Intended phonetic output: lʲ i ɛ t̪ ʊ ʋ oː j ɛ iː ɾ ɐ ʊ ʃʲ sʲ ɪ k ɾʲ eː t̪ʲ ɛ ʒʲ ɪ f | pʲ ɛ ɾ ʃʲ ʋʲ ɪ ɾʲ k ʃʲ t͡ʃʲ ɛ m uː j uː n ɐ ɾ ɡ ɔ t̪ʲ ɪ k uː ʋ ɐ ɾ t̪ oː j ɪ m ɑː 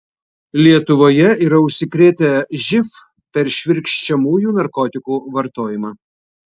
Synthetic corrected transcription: lʲ i ɛ t̪ ʊ ʋ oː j ɛ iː ɾ ɐ ʊ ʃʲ sʲ ɪ k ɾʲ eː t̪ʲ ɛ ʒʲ ɪ f | pʲ ɛ ɾ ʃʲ ʋʲ ɪ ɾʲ k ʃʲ t͡ʃʲ ɛ m uː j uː n ɐ ɾ k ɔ t̪ʲ ɪ k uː ʋ ɐ ɾ t̪ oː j ɪ m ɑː